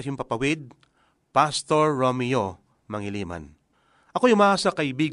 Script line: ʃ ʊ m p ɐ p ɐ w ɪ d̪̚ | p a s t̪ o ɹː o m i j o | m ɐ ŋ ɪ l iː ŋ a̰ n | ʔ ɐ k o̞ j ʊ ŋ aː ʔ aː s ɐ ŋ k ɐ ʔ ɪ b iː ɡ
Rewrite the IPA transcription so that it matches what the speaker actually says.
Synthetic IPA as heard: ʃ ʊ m p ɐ p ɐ w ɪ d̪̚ | p a s t̪ o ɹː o m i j o | m ɐ ŋ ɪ l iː m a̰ n | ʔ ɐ k o̞ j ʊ m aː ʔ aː s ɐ k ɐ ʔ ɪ b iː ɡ